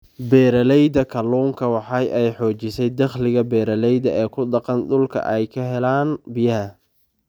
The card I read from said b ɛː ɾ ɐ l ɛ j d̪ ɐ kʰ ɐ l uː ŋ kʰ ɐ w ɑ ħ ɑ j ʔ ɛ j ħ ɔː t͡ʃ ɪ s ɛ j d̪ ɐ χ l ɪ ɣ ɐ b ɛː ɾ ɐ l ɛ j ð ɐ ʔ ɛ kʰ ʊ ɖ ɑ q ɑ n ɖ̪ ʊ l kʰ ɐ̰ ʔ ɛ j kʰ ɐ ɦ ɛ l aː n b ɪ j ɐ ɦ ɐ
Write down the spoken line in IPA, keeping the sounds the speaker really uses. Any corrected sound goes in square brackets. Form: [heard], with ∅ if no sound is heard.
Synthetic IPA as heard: b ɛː ɾ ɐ l ɛ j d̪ ɐ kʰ ɐ l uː ŋ kʰ ɐ w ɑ ħ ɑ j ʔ ɛ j ħ ɔː t͡ʃ ɪ s ɛ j d̪ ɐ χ l ɪ ɣ ɐ b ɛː ɾ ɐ l ɛ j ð ɐ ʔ [ɛː] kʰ ʊ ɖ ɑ q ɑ n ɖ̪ ʊ l kʰ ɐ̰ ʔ ɛ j kʰ ɐ ɦ ɛ l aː n b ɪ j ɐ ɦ ɐ